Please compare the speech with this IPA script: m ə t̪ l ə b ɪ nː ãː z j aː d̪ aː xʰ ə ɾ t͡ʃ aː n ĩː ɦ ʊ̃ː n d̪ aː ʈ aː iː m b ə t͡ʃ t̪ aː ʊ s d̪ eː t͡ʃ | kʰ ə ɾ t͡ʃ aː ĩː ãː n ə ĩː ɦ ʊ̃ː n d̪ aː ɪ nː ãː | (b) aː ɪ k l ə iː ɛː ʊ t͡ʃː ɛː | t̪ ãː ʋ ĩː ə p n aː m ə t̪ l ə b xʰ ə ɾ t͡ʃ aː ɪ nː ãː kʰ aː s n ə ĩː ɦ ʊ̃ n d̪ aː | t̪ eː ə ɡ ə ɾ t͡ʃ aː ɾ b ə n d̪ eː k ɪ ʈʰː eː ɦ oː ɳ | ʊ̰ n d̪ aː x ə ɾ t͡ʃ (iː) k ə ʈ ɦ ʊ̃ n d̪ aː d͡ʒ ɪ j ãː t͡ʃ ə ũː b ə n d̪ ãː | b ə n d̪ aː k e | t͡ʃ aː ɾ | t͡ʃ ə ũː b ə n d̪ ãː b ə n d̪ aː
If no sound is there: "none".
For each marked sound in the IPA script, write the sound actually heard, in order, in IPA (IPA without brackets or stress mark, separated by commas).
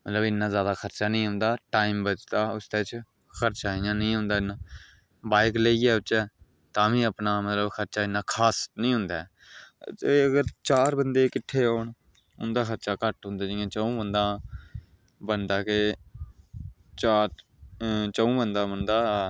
b, aː